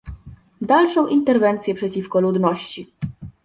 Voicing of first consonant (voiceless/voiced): voiced